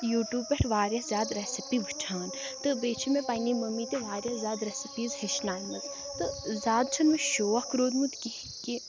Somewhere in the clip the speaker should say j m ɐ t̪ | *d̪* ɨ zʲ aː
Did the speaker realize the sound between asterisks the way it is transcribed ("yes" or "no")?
no